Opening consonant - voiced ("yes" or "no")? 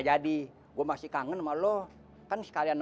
yes